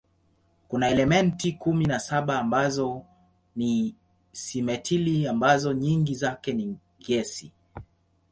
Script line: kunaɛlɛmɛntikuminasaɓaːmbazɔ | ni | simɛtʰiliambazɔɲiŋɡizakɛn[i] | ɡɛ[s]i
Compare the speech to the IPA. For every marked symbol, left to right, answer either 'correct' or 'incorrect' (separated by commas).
correct, correct